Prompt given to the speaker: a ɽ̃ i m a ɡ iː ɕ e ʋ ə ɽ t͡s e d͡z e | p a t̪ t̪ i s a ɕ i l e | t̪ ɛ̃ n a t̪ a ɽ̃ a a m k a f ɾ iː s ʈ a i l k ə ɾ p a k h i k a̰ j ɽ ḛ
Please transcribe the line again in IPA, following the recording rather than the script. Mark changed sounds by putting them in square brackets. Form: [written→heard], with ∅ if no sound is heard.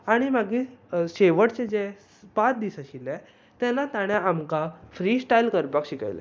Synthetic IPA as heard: a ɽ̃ i m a ɡ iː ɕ e ʋ ə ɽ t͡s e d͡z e | p a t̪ [t̪→d̪] i s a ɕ i l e | t̪ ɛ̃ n a t̪ a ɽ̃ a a m k a f ɾ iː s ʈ a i l k ə ɾ p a k [h→ɕ] i k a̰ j [ɽ→l] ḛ